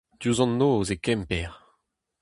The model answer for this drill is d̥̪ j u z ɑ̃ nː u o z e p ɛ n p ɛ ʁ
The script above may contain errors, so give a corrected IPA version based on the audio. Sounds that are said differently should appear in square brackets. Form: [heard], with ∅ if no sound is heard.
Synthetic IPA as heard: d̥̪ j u z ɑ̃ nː [o] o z e [k] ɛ [m] p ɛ ʁ